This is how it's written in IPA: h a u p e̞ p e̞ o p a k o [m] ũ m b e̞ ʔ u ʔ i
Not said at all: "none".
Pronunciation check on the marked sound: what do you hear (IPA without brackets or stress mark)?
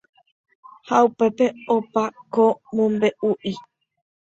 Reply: m